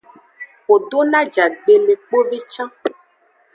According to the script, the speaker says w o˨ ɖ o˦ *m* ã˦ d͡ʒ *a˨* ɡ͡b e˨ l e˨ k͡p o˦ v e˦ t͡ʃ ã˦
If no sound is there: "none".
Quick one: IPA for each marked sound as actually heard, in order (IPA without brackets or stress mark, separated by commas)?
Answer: n, a˨